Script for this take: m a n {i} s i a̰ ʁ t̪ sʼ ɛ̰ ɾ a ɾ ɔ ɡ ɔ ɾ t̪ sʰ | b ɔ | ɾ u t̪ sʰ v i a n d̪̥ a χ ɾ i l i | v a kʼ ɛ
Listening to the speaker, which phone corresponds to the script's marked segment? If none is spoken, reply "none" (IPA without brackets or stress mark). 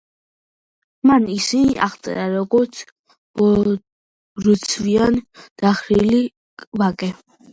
i